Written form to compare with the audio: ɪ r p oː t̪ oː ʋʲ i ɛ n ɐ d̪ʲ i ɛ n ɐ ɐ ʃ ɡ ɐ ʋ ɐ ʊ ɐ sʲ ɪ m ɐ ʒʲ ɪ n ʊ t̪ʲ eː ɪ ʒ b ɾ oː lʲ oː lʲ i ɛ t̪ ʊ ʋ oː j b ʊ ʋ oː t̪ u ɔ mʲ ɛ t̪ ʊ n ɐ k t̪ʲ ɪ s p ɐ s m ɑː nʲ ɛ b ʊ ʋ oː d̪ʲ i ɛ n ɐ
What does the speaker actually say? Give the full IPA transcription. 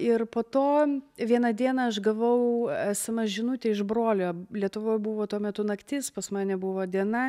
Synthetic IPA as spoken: ɪ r p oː t̪ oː ʋʲ i ɛ n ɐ d̪ʲ i ɛ n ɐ ɐ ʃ ɡ ɐ ʋ ɐ ʊ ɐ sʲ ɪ m ɐ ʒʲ ɪ n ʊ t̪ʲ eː ɪ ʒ b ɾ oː lʲ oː lʲ i ɛ t̪ ʊ ʋ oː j b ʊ ʋ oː t̪ u ɔ mʲ ɛ t̪ ʊ n ɐ k t̪ʲ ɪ s p ɐ s m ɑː nʲ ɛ b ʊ ʋ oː d̪ʲ i ɛ n ɐ